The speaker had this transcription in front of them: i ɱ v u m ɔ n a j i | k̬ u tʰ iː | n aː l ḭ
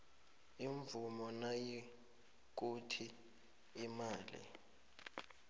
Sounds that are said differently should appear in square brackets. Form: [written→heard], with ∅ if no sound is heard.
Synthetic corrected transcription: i ɱ v u m ɔ n a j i | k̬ u tʰ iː | [n→m] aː l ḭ